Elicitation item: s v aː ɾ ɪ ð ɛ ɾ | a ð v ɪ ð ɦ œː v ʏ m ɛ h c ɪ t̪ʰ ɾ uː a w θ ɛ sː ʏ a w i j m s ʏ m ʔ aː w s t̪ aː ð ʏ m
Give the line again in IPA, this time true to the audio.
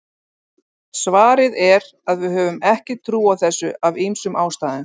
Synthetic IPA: s v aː ɾ ɪ ð ɛ ɾ | a ð v ɪ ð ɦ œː v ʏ m ɛ h c ɪ t̪ʰ ɾ uː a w θ ɛ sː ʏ a v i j m s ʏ m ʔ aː w s t̪ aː ð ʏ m